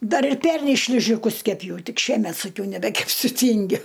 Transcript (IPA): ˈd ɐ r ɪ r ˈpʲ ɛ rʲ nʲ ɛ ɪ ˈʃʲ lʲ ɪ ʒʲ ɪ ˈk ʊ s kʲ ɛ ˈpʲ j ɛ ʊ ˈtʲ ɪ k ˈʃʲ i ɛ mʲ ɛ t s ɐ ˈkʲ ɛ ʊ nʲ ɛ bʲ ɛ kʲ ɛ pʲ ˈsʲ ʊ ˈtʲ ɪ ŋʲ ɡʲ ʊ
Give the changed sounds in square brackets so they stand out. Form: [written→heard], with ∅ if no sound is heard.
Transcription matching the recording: ˈd ɐ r ɪ r ˈpʲ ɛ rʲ nʲ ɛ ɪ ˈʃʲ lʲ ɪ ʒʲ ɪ ˈk ʊ s kʲ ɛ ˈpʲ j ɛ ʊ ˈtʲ ɪ k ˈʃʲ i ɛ mʲ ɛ t s ɐ ˈkʲ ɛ ʊ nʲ ɛ bʲ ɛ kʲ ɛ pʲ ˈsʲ ʊ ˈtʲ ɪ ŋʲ ɡʲ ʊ